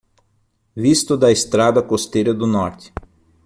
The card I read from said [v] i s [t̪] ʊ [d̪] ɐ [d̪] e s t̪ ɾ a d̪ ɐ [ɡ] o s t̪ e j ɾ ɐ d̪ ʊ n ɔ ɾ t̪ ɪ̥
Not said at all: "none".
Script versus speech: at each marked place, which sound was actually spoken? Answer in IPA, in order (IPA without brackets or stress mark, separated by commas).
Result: v, t̪, d̪, none, k